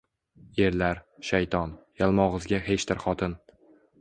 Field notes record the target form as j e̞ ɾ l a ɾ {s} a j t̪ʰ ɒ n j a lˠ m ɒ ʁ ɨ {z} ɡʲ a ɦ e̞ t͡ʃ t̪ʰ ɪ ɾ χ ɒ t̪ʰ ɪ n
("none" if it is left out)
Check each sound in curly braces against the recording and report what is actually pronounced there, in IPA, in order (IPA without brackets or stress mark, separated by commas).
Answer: ʃ, z